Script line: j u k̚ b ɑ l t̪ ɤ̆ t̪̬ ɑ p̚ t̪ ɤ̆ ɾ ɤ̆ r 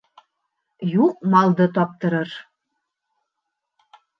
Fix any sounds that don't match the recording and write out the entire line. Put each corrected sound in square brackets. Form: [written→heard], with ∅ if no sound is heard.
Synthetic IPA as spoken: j u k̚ [b→m] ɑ l [t̪→d̪] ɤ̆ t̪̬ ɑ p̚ t̪ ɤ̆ ɾ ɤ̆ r